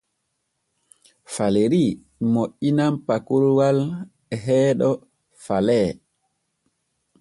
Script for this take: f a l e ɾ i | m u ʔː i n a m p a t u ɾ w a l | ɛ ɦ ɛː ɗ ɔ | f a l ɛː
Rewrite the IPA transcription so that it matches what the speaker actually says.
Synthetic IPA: f a l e ɾ i | m o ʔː i n a m p a k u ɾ w a l | ɛ ɦ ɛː ɗ ɔ | f a l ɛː